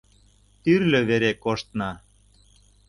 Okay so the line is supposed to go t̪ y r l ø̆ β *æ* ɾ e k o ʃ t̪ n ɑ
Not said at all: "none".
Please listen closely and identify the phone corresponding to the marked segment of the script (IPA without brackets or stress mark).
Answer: e